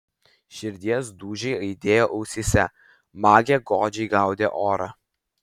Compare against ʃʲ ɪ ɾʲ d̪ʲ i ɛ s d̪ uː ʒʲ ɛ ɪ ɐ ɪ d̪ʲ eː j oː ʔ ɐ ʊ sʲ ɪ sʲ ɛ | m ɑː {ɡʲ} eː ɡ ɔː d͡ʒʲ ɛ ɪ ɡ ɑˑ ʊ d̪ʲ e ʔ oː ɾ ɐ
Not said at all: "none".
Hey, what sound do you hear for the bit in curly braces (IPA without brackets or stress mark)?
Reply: ɡʲ